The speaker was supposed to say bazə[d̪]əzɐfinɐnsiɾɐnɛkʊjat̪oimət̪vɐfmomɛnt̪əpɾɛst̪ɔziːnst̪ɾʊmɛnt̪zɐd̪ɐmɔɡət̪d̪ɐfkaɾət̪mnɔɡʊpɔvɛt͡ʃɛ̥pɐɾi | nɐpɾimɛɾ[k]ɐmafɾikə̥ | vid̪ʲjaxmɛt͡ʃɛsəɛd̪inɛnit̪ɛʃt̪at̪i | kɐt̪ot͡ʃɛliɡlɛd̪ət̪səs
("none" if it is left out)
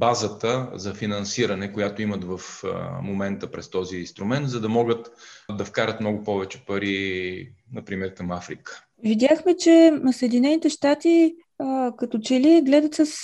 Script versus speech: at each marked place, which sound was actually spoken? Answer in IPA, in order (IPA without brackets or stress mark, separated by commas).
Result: t̪, k